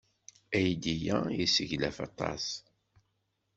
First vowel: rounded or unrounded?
unrounded